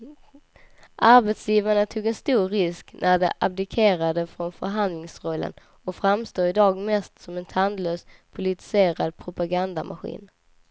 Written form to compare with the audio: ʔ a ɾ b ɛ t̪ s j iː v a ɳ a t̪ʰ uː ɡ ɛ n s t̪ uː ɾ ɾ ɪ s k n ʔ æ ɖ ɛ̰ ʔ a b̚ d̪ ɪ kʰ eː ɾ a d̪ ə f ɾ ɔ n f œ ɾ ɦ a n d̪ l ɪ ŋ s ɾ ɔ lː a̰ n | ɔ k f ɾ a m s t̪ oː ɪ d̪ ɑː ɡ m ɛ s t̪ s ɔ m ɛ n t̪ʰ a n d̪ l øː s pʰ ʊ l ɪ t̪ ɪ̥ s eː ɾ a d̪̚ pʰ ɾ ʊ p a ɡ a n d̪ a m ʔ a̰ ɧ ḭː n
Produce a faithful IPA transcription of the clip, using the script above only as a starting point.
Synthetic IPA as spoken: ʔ a ɾ b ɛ t̪ s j iː v a ɳ a t̪ʰ uː ɡ ɛ n s t̪ uː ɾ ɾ ɪ s k n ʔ æ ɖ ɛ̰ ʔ a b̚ d̪ ɪ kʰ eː ɾ a d̪ ə f ɾ ɔ n f œ ɾ ɦ a n d̪ l ɪ ŋ s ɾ ɔ lː ə̰ n | ɔ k f ɾ a m s t̪ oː ɪ d̪ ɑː ɡ m ɛ s t̪ s ɔ m ɛ n t̪ʰ a n d̪ l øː s pʰ ʊ l ɪ t̪ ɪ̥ s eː ɾ a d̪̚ pʰ ɾ ʊ p a ɡ a n d̪ a m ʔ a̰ ɧ ḭː n